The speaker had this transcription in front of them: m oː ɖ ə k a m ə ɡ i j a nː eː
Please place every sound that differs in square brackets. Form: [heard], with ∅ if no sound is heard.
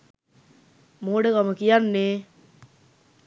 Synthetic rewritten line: m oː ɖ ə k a m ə [k] i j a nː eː